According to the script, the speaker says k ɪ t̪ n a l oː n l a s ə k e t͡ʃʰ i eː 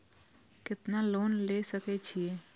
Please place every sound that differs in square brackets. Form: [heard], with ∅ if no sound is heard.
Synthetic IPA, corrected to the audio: k ɪ t̪ n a l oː n l [e] s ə k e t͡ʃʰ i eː